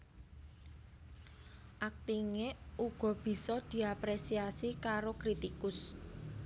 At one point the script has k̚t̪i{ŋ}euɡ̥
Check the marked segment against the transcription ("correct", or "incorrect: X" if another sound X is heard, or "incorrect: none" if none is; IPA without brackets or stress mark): correct